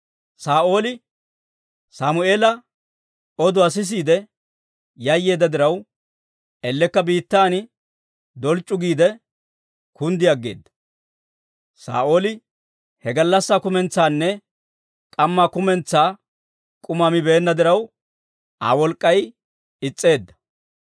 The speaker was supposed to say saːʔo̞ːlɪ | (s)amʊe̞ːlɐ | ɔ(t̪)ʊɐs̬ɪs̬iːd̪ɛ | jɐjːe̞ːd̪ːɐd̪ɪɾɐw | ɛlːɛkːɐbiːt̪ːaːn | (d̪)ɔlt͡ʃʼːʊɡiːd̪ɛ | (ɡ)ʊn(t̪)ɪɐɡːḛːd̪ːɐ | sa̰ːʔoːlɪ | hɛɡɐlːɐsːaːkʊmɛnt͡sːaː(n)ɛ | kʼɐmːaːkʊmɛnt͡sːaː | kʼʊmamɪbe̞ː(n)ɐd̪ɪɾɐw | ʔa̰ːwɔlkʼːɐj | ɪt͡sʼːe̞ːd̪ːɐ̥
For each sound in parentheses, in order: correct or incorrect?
correct, incorrect: d̪, correct, incorrect: k, incorrect: d̪, incorrect: nː, incorrect: nː

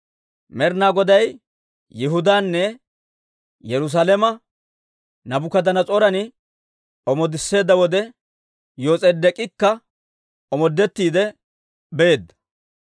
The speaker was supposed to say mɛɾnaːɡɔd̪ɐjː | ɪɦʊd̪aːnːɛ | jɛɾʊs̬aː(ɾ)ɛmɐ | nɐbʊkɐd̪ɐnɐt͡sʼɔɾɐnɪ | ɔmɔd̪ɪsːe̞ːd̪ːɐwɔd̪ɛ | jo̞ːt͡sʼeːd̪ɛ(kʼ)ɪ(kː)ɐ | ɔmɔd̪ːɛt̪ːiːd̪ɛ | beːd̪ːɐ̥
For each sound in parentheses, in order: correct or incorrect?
incorrect: l, correct, correct

